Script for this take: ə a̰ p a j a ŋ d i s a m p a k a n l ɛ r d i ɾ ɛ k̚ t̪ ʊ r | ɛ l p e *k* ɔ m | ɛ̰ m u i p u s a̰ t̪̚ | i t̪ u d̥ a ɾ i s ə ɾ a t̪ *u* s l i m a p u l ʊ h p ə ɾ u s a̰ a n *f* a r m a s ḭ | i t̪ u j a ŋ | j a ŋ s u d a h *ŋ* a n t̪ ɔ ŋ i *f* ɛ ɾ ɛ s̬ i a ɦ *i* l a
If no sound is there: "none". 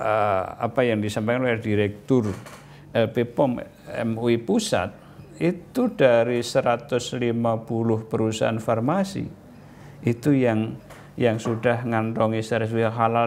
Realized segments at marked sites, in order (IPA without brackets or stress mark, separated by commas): p, ʊ, f, ŋ, s, a